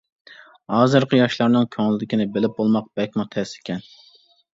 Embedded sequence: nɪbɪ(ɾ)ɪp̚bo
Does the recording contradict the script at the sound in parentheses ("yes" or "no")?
yes